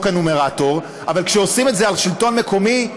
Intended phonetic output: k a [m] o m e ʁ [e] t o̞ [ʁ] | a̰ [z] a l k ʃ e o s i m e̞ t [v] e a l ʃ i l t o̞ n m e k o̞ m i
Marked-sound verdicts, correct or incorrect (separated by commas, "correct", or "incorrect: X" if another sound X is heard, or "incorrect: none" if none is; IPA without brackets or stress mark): incorrect: n, incorrect: a, correct, incorrect: v, incorrect: z